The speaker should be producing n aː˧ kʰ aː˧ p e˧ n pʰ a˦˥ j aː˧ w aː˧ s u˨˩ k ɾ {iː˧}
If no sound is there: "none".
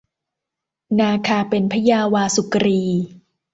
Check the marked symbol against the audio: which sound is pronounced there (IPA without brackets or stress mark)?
iː˧